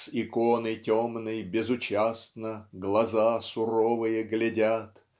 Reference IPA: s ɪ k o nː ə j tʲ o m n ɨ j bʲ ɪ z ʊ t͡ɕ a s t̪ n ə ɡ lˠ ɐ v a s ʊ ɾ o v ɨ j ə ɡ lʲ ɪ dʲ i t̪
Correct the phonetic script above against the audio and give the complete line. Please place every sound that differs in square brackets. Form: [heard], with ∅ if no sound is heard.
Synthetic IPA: s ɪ k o [n] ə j tʲ o m n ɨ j bʲ ɪ z ʊ t͡ɕ a s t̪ n ə ɡ lˠ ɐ [z] a s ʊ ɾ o v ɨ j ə ɡ lʲ ɪ dʲ [a] t̪